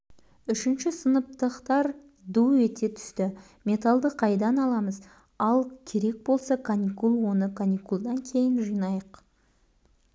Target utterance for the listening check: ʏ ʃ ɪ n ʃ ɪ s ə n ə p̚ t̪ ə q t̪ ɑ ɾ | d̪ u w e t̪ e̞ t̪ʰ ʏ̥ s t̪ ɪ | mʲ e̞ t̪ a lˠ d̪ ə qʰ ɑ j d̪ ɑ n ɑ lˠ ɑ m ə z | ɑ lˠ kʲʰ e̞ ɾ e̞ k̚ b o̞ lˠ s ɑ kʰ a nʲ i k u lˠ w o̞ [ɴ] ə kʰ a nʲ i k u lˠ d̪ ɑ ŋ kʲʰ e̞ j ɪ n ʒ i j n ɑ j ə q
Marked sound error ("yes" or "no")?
yes